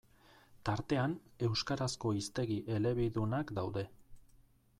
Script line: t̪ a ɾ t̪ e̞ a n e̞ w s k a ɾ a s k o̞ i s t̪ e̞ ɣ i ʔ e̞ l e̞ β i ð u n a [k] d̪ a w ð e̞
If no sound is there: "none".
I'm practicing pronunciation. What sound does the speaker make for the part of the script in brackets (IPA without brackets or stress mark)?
k